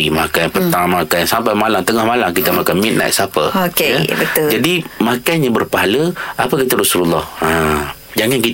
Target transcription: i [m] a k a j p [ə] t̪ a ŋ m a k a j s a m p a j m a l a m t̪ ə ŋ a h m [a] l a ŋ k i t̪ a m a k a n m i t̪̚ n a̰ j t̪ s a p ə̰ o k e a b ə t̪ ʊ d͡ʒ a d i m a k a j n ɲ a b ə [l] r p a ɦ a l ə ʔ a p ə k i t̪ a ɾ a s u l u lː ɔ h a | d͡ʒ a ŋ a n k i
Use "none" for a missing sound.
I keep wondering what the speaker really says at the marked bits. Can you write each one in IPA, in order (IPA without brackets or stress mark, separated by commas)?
m, ə, a, none